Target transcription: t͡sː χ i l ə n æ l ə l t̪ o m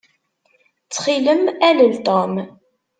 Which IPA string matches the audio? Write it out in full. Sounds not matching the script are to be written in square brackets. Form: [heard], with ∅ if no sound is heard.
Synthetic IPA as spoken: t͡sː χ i l ə [m] æ l ə l t̪ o m

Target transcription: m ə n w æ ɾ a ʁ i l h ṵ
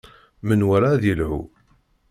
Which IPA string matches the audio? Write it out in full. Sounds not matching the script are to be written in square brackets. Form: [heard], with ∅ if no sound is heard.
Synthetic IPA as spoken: m ə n w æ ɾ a [ð] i l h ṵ

